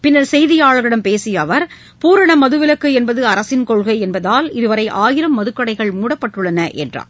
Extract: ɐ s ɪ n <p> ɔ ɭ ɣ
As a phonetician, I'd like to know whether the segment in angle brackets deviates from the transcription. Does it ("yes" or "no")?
yes